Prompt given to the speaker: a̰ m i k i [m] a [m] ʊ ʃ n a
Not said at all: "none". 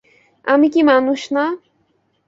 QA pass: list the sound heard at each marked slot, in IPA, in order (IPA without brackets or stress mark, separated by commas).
m, n